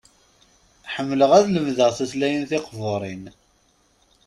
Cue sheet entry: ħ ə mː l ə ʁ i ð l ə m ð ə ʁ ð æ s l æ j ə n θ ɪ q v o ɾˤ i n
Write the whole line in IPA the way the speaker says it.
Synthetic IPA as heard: ħ ə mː l ə ʁ æ ð l ə m ð ə ʁ θ æ s l æ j ə n θ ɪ q v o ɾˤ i n